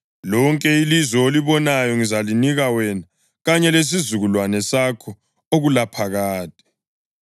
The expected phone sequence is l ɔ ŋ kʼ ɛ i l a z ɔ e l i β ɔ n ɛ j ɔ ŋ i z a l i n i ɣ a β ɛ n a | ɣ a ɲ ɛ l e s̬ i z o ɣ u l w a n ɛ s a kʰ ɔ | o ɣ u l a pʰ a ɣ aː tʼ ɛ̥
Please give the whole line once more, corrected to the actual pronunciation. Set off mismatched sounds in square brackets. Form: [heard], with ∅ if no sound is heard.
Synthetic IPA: l ɔ ŋ kʼ ɛ i l [i] z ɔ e l i β ɔ n [a] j ɔ ŋ i z a l i n i ɣ a [w] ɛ n a | ɣ a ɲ ɛ l e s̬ i z [u] ɣ u l w a n ɛ s a kʰ ɔ | o ɣ u l a pʰ a ɣ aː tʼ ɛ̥